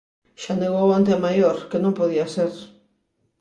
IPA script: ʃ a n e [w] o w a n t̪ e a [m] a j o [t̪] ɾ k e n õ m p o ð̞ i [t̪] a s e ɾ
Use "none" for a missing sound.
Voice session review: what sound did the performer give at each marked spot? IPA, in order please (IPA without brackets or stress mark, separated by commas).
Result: ɣ, m, none, none